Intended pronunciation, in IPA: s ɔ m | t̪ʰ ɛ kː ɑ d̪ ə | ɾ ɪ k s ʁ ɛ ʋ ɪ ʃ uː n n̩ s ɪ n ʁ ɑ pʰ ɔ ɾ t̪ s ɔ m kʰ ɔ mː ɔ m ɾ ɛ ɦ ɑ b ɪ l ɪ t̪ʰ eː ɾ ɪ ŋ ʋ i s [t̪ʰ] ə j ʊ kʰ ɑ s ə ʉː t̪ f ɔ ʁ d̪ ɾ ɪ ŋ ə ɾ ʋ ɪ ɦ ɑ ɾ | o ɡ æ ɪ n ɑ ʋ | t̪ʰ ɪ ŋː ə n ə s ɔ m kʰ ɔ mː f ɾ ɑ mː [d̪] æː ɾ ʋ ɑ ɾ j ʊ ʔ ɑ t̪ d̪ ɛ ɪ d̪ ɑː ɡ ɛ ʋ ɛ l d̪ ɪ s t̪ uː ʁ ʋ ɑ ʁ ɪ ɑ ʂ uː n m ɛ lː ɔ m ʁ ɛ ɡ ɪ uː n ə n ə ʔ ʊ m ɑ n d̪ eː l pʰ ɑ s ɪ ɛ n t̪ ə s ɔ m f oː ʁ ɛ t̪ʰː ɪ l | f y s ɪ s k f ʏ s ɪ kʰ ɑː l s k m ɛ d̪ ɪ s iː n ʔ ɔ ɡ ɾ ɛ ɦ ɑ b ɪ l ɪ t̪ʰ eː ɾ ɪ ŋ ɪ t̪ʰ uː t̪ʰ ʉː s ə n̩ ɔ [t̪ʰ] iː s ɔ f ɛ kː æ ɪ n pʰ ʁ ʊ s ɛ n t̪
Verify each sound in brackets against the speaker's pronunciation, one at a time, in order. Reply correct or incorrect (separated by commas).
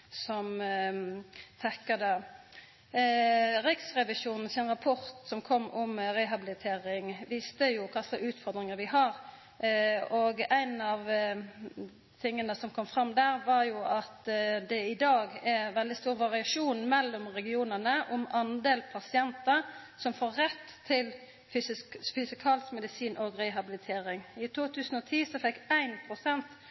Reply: incorrect, correct, correct